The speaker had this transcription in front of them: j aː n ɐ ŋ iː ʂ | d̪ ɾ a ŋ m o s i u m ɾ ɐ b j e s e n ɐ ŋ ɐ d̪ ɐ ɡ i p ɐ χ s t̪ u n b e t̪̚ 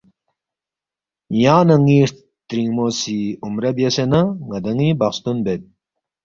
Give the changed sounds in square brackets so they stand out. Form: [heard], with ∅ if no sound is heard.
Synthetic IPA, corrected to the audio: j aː n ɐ ŋ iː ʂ | [t̪] ɾ [i] ŋ m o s i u m ɾ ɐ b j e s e n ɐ ŋ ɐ d̪ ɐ [ŋ] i [b] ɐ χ s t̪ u n b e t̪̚

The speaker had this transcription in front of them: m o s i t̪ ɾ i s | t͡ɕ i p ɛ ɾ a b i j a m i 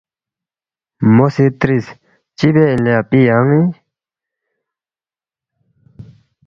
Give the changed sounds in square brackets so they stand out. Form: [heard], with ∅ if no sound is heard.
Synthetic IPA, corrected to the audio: m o s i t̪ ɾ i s | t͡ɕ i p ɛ [l] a [p] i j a [ŋ] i

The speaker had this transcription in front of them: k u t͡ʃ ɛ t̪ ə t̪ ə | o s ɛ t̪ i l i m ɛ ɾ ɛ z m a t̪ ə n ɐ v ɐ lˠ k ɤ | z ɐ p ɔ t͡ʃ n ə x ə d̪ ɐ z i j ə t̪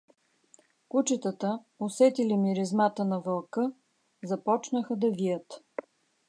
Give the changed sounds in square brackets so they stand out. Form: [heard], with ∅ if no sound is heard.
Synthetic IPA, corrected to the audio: k u t͡ʃ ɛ t̪ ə t̪ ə | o s ɛ t̪ i l i m [i] ɾ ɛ z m a t̪ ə n ɐ v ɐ lˠ k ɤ | z ɐ p ɔ t͡ʃ n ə x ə d̪ ɐ [v] i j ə t̪

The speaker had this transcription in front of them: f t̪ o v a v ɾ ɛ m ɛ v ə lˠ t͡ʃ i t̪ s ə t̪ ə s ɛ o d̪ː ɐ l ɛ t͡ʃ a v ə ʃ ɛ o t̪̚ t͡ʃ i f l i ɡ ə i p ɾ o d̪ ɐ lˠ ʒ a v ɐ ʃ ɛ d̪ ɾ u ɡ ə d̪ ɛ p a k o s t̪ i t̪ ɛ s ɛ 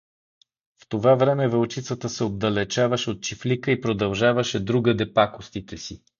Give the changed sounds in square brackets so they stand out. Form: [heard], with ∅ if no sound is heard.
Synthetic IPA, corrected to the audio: f t̪ o v a v ɾ ɛ m ɛ v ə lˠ t͡ʃ i t̪ s ə t̪ ə s ɛ o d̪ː ɐ l ɛ t͡ʃ a v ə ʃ ɛ o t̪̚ t͡ʃ i f l i [k] ə i p ɾ o d̪ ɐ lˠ ʒ a v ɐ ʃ ɛ d̪ ɾ u ɡ ə d̪ ɛ p a k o s t̪ i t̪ ɛ s [i]

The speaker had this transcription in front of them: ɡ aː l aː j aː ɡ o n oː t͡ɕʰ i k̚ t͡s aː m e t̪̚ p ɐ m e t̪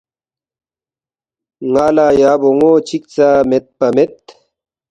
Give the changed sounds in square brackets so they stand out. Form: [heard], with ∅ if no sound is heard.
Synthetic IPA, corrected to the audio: [ŋ] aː l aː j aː [b] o [ŋ] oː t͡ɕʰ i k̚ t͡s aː m e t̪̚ p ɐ m e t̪

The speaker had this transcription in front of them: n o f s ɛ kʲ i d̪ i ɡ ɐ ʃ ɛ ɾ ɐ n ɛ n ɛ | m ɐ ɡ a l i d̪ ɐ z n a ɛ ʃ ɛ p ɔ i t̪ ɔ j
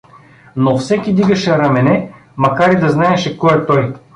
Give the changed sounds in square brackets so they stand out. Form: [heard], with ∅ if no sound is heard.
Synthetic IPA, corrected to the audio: n o f s ɛ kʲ i d̪ i ɡ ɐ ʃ ɛ ɾ ɐ [m] ɛ n ɛ | m ɐ [k] a [ɾ] i d̪ ɐ z n a ɛ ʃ ɛ [k] ɔ [ɛ] t̪ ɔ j

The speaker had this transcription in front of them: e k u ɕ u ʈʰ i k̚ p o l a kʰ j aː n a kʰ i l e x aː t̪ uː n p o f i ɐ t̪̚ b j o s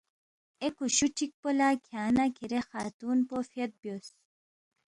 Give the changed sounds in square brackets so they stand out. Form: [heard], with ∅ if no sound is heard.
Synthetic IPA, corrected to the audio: e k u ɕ u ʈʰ i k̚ p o l a kʰ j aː n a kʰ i [ɾ] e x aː t̪ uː n p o f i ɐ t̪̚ b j o s

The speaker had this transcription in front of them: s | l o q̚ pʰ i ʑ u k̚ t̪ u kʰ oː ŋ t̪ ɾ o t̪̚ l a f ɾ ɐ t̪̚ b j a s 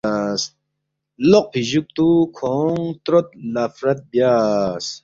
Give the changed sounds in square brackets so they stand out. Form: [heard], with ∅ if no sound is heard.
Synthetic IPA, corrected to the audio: s | l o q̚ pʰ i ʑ u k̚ t̪ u kʰ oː ŋ t̪ ɾ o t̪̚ l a f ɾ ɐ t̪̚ b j a s

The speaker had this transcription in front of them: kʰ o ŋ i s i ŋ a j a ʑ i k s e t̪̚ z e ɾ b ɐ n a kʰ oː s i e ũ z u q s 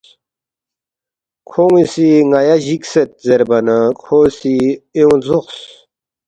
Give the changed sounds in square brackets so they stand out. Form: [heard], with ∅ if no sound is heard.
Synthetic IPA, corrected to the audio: kʰ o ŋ i s i ŋ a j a ʑ i k s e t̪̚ z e ɾ b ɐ n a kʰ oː s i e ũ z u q s

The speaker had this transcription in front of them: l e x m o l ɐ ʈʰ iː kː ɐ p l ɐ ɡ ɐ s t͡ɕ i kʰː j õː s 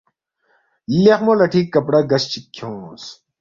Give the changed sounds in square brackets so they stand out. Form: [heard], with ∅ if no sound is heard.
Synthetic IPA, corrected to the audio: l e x m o l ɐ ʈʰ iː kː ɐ p [ɽ] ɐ ɡ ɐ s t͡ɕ i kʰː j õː s

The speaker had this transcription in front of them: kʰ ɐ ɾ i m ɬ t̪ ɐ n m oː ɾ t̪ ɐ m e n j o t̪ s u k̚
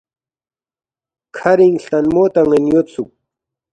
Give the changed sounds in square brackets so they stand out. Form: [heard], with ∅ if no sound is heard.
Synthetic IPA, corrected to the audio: kʰ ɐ ɾ i [ŋ] ɬ t̪ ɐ n m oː [∅] t̪ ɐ [ŋ] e n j o t̪ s u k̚

